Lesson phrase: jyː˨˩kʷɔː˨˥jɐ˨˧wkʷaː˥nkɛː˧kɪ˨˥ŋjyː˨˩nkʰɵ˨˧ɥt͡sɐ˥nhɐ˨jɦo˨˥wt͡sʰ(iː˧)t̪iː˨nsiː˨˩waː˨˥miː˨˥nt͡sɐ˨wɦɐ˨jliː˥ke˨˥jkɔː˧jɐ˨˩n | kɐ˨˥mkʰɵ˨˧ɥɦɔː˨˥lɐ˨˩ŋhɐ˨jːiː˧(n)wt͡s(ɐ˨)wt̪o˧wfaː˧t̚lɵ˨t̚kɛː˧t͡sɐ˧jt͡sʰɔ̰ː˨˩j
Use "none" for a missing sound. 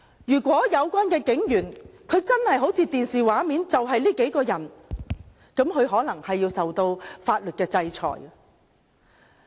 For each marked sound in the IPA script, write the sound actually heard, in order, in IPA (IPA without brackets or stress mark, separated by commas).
iː˧, none, ɐ˨